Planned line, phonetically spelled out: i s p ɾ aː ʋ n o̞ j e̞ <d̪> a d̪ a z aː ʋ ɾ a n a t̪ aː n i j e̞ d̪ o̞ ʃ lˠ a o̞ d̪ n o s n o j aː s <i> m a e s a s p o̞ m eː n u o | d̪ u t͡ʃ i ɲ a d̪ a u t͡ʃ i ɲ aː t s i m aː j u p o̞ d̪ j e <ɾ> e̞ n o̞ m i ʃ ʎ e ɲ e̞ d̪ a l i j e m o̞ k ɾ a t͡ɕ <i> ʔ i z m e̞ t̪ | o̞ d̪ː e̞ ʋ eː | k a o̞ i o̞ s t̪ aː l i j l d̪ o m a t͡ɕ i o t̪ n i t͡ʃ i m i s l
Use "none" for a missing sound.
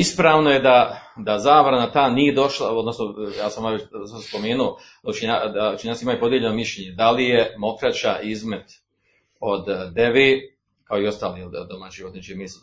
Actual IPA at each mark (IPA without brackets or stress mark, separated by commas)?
d̪, a, ʎ, a